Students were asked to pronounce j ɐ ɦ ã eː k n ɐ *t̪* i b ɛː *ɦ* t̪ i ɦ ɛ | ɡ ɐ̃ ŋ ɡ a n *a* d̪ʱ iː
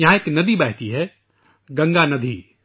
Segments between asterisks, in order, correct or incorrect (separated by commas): incorrect, correct, incorrect